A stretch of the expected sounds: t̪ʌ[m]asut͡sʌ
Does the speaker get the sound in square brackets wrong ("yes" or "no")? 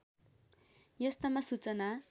no